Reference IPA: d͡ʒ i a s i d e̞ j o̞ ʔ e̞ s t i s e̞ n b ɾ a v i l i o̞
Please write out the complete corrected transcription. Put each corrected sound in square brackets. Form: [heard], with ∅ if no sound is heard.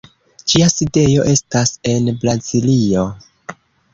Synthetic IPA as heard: d͡ʒ i a s i d e̞ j o̞ ʔ e̞ s t [a] s e̞ n b ɾ a [z] i l i o̞